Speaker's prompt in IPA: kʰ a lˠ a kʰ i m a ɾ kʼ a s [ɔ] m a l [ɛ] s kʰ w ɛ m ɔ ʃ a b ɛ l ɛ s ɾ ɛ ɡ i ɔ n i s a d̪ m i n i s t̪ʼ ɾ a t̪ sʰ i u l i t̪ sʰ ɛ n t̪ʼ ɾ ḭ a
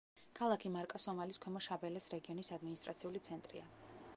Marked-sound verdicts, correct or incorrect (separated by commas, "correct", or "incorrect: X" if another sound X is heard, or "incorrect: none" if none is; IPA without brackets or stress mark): correct, incorrect: i